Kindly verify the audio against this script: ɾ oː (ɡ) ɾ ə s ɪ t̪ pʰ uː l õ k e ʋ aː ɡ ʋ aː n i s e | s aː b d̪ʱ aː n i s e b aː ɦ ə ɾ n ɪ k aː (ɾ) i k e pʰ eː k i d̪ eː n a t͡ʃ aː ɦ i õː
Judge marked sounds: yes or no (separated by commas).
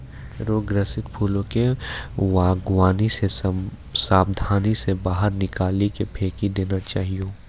yes, no